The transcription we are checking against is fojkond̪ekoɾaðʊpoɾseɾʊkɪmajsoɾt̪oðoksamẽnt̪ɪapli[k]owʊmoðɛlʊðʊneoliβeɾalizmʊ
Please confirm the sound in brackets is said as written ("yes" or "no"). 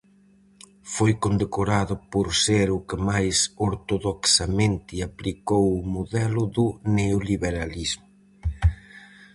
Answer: yes